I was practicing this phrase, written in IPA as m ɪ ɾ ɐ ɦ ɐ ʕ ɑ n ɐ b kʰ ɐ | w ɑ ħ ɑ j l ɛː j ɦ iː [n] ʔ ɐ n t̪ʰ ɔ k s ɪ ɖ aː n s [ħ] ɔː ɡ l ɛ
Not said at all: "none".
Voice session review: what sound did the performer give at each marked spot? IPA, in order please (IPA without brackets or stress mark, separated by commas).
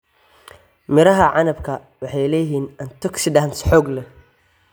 n, ħ